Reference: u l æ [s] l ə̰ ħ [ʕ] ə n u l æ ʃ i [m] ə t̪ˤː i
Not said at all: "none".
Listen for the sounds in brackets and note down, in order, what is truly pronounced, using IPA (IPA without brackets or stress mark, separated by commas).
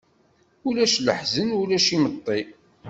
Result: ʃ, z, m